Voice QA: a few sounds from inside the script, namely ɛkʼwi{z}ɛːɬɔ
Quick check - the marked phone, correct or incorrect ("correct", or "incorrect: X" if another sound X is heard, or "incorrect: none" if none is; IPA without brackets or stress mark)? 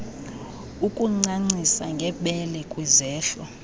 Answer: correct